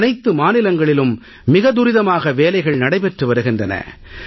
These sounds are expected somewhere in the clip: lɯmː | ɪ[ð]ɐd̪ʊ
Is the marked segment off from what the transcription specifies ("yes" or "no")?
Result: yes